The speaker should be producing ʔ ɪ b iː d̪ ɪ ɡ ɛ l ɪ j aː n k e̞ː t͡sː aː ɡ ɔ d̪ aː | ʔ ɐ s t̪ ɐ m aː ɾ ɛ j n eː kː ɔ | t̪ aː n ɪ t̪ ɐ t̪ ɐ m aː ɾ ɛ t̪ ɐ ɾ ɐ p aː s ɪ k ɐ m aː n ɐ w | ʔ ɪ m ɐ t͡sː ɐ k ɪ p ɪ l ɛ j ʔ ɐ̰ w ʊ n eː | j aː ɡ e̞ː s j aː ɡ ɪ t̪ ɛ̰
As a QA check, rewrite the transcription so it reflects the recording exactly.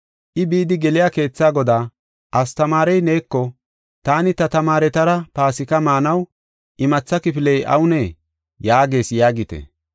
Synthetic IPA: ʔ ɪ b iː d̪ ɪ ɡ ɛ l ɪ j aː k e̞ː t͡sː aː ɡ ɔ d̪ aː | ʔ ɐ s t̪ ɐ m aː ɾ ɛ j n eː kː ɔ | t̪ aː n ɪ t̪ ɐ t̪ ɐ m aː ɾ ɛ t̪ ɐ ɾ ɐ p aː s ɪ k ɐ m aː n ɐ w | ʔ ɪ m ɐ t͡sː ɐ k ɪ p ɪ l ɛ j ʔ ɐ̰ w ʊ n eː | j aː ɡ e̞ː s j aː ɡ ɪ t̪ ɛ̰